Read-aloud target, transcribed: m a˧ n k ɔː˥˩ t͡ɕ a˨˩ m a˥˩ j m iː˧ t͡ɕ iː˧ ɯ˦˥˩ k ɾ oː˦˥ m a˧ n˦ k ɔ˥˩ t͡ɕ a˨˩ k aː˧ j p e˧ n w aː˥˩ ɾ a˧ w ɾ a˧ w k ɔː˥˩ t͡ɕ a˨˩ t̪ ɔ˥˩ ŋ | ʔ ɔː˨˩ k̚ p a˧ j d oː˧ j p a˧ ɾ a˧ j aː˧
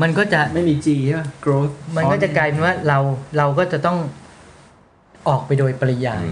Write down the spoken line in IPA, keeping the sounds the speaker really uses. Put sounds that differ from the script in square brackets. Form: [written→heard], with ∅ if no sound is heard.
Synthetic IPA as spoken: m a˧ n k ɔː˥˩ t͡ɕ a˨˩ m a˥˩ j m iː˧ t͡ɕ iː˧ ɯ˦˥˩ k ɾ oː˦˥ m a˧ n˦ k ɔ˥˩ t͡ɕ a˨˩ k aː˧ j p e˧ n w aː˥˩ ɾ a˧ w ɾ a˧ w k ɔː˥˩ t͡ɕ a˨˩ t̪ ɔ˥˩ ŋ | ʔ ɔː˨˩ k̚ p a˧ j d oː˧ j p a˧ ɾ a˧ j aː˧